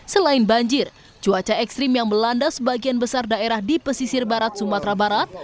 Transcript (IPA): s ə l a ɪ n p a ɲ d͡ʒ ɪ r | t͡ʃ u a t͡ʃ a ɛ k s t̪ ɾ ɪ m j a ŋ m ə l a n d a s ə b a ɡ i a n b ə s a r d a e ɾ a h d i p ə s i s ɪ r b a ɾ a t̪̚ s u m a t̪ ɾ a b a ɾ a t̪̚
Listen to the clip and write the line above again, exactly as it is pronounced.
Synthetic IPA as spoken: s ə l a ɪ n b a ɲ d͡ʒ ɪ r | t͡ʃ u a t͡ʃ a ɛ k s t̪ ɾ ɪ m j a ŋ m ə l a n d a s ə b a ɡ i a n b ə s a r d a e ɾ a h d i p ə s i s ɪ r b a ɾ a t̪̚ s u m a t̪ ɾ a b a ɾ a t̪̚